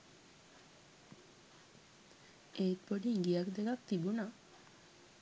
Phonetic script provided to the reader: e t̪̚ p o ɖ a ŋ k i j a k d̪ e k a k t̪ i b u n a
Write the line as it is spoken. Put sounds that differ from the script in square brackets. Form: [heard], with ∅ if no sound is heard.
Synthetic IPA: e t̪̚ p o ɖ [i] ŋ [ɡ] i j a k d̪ e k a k t̪ i b u n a